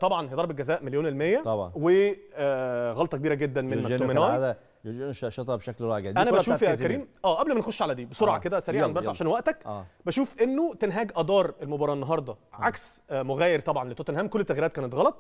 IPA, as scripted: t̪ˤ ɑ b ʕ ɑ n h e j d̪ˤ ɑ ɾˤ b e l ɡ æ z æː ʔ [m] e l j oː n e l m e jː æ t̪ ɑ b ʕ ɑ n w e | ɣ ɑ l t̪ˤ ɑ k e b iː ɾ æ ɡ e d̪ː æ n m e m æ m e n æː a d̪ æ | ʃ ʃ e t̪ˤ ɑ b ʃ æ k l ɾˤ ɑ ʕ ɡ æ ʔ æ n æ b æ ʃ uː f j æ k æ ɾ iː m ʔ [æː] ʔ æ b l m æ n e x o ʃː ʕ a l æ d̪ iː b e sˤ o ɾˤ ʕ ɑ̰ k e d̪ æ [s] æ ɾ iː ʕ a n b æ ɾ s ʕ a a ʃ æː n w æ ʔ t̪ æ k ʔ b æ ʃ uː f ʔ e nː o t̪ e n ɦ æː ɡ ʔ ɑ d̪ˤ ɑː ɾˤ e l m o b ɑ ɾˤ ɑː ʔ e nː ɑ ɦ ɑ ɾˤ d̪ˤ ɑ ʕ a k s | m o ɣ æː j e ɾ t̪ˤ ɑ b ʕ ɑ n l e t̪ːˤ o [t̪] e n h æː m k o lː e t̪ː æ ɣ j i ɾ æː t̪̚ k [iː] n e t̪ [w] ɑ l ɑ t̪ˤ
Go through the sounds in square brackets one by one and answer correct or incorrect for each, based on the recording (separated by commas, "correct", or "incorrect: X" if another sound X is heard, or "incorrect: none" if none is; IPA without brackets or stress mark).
correct, correct, correct, correct, incorrect: æː, incorrect: ɣ